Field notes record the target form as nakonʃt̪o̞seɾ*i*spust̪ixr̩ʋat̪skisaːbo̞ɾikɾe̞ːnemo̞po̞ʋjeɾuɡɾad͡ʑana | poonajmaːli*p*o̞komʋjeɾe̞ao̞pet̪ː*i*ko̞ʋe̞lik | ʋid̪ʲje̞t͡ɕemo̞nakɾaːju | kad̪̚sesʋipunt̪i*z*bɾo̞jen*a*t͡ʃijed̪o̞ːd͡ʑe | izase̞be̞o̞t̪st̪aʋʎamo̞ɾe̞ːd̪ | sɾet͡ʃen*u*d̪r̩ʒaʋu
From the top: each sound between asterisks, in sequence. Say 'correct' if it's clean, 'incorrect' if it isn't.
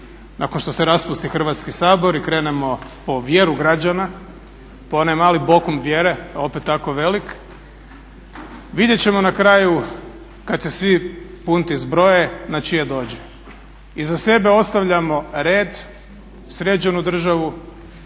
incorrect, incorrect, incorrect, correct, correct, correct

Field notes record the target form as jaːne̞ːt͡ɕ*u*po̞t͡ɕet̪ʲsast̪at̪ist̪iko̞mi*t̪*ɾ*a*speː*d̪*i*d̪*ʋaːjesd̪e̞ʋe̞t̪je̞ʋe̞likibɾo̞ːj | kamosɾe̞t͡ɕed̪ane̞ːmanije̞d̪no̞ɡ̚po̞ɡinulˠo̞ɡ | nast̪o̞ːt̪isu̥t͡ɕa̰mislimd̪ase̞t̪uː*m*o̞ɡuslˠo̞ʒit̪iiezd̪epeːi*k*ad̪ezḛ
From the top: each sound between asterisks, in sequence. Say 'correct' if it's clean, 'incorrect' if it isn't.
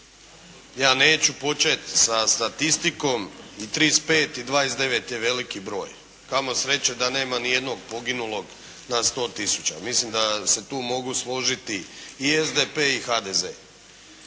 correct, correct, incorrect, incorrect, correct, correct, incorrect

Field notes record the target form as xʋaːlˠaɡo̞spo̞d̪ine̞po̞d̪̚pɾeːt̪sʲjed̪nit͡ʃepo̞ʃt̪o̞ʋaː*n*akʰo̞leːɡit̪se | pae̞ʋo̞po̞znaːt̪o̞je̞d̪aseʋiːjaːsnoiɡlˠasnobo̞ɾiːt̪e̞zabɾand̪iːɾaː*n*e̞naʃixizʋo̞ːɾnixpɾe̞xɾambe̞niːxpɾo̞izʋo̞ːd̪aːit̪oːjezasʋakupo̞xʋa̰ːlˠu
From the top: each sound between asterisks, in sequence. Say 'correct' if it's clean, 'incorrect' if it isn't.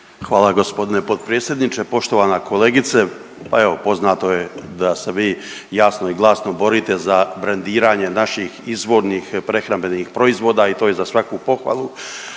correct, incorrect

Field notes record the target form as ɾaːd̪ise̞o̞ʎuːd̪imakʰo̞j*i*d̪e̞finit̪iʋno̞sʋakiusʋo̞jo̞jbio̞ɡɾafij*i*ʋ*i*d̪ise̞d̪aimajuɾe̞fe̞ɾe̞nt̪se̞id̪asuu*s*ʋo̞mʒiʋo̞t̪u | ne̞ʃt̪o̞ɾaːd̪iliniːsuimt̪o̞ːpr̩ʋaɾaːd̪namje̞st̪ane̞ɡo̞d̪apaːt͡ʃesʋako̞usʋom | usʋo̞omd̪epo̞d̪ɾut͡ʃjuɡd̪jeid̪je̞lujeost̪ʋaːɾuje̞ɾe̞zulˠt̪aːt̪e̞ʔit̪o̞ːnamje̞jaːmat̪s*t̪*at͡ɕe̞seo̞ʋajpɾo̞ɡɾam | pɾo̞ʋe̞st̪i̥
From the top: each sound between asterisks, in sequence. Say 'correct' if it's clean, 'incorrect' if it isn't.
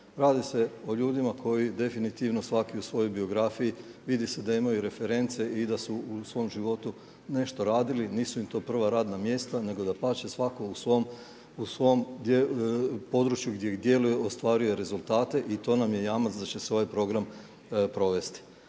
correct, correct, correct, correct, incorrect

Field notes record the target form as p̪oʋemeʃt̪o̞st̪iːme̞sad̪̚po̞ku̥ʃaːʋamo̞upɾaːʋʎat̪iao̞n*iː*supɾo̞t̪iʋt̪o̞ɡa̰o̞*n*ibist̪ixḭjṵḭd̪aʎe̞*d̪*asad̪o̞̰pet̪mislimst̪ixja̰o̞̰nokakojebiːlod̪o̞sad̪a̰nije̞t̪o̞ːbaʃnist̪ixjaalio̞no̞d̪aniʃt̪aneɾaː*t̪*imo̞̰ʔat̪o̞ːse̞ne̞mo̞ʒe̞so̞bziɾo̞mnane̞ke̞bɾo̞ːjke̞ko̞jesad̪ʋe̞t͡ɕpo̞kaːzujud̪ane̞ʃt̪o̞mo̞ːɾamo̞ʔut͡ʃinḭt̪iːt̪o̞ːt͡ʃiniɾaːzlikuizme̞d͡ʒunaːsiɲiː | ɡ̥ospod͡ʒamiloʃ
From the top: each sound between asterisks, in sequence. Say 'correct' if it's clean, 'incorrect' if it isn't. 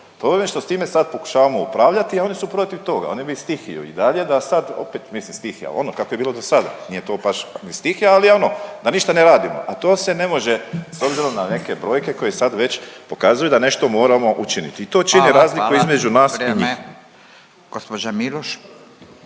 incorrect, correct, correct, incorrect

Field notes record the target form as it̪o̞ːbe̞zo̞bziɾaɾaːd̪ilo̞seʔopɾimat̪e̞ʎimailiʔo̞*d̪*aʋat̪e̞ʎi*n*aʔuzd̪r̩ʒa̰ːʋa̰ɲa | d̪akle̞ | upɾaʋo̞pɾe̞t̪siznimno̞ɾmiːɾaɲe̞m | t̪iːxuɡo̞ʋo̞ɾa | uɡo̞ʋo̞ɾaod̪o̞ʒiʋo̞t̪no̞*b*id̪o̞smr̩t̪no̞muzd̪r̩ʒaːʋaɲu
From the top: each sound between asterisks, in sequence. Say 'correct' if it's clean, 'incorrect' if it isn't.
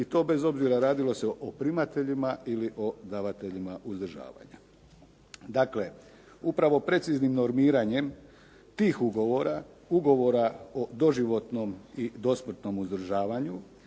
correct, incorrect, incorrect

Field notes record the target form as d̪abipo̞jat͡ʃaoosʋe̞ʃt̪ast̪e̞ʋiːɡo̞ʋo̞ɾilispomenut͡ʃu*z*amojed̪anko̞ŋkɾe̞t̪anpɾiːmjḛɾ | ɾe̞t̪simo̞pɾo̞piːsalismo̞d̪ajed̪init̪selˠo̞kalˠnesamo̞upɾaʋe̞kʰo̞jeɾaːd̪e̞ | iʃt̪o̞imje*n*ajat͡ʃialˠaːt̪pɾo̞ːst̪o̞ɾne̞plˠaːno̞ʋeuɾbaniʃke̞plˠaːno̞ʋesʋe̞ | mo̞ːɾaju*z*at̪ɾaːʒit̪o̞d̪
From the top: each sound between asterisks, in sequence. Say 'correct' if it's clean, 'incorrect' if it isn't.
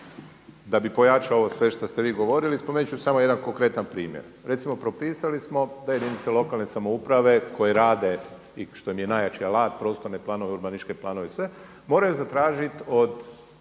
incorrect, correct, correct

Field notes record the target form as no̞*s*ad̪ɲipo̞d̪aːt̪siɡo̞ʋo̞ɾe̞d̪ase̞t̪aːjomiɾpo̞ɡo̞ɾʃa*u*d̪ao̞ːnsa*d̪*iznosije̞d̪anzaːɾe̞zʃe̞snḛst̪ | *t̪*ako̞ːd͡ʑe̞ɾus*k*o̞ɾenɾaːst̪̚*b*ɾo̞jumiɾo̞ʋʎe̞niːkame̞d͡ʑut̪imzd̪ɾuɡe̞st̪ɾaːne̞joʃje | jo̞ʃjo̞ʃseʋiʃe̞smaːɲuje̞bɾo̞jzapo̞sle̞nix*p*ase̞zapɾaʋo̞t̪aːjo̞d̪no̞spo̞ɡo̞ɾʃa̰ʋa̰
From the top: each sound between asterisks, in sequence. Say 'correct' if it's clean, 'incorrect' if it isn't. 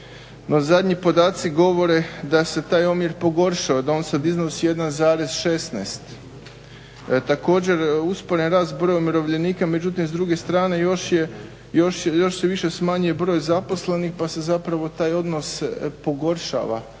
incorrect, incorrect, correct, correct, incorrect, correct, correct

